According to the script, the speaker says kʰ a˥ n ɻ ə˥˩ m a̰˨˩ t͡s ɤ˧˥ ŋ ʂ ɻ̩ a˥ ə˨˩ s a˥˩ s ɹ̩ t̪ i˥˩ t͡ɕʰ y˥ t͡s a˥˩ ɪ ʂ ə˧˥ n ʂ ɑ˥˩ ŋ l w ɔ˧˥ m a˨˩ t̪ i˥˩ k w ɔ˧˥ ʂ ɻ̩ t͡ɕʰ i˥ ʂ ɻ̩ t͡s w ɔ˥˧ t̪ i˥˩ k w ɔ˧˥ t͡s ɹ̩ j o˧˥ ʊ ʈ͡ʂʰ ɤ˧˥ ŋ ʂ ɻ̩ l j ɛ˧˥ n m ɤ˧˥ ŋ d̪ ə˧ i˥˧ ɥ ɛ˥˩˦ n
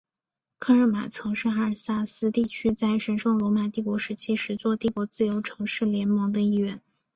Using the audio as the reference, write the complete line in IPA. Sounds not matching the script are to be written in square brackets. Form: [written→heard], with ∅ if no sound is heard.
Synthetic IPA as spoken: kʰ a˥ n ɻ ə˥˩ m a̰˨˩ [t͡s→t͡sʰ] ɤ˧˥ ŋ ʂ ɻ̩ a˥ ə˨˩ s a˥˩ s ɹ̩ t̪ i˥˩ t͡ɕʰ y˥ t͡s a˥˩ ɪ ʂ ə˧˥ n ʂ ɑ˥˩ ŋ l w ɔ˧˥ m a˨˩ t̪ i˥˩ k w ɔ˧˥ ʂ ɻ̩ t͡ɕʰ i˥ ʂ ɻ̩ t͡s w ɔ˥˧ t̪ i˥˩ k w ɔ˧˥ t͡s ɹ̩ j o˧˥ ʊ ʈ͡ʂʰ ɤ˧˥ ŋ ʂ ɻ̩ l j ɛ˧˥ n m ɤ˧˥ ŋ d̪ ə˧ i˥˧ ɥ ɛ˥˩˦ n